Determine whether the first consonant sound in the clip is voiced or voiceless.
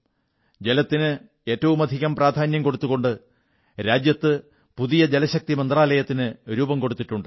voiced